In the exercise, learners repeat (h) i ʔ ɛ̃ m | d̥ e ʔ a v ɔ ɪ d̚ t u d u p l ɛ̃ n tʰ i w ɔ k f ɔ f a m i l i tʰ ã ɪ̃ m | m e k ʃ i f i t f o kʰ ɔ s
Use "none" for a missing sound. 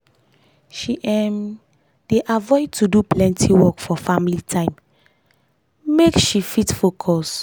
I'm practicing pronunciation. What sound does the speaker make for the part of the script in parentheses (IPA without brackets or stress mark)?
ʃ